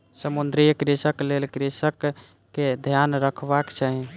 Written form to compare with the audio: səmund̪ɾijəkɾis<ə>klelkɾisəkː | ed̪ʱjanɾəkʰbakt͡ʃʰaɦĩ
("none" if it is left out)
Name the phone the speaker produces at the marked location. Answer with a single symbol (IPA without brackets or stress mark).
ə